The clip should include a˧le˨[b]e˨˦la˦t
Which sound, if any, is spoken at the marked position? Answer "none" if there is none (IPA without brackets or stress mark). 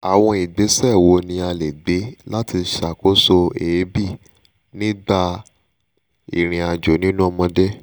ɡ͡b